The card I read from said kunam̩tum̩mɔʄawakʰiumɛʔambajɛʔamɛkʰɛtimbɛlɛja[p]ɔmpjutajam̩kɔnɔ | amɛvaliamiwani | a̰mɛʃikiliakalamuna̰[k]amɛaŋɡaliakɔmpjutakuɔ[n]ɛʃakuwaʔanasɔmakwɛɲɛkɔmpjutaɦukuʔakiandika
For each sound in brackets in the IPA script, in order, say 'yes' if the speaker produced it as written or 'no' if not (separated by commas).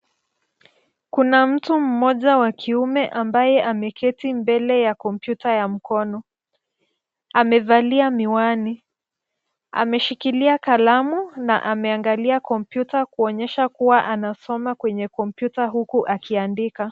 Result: no, no, no